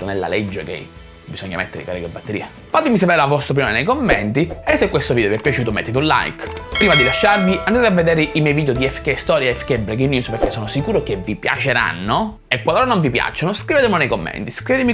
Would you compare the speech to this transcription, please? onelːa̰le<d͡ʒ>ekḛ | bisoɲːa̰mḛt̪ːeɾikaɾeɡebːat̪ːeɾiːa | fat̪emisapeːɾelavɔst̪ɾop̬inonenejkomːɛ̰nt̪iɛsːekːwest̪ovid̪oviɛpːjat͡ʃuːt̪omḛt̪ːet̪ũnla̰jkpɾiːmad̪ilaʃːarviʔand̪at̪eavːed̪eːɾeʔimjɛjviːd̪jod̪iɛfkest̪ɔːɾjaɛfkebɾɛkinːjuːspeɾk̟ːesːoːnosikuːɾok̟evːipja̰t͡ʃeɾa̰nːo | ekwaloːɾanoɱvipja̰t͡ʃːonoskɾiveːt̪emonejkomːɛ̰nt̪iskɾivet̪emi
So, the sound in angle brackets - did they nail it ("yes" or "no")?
no